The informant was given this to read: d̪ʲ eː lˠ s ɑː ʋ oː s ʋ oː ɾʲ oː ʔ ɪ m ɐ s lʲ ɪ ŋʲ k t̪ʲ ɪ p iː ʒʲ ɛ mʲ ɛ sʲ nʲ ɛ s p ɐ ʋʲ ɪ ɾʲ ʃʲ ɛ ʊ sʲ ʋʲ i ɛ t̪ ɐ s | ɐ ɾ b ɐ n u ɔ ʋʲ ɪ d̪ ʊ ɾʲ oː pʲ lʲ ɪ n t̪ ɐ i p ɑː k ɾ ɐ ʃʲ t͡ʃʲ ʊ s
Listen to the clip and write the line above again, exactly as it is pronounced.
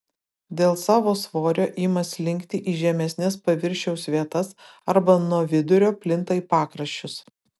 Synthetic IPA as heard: d̪ʲ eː lˠ s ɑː ʋ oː s ʋ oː ɾʲ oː ʔ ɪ m ɐ s lʲ ɪ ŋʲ k t̪ʲ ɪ ʔ iː ʒʲ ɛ mʲ ɛ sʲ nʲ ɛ s p ɐ ʋʲ ɪ ɾʲ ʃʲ ɛ ʊ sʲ ʋʲ i ɛ t̪ ɐ s | ɐ ɾ b ɐ n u ɔ ʋʲ ɪ d̪ ʊ ɾʲ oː pʲ lʲ ɪ n t̪ ɐ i p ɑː k ɾ ɐ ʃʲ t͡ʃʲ ʊ s